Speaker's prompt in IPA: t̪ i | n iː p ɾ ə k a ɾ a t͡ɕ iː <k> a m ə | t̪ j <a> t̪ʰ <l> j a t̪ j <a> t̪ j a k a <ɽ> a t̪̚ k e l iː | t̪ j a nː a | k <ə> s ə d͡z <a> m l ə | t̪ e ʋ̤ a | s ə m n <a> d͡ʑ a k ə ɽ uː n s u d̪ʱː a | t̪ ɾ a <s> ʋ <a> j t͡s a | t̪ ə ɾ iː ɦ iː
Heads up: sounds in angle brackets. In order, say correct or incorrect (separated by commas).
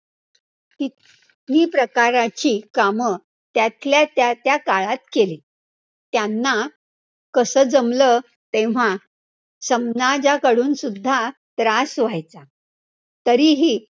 correct, correct, correct, correct, incorrect, correct, incorrect, correct, correct, correct